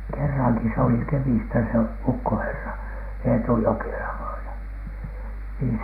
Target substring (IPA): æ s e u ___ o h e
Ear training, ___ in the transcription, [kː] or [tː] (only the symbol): kː